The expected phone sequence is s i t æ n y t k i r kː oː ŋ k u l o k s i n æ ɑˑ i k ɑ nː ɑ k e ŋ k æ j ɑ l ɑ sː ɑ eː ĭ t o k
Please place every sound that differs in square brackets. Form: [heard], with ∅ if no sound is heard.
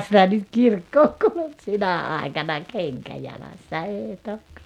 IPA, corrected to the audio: s i t æ n y t k i r kː oː ŋ k u l [u] k s i n æ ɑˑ i k ɑ [n] ɑ k e ŋ k æ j ɑ l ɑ sː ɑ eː ĭ t o k